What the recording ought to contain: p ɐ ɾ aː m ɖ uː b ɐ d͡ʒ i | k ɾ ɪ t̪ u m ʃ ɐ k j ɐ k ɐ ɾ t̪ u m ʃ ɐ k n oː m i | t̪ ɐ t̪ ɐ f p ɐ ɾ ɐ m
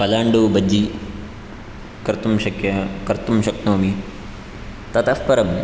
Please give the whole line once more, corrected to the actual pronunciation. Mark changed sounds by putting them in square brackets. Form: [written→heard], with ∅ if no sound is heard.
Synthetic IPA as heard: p ɐ [ɾ→l] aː [m→ɳ] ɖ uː b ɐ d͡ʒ i | k ɾ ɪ t̪ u m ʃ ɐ k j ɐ k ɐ ɾ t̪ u m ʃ ɐ k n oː m i | t̪ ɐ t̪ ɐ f p ɐ ɾ ɐ m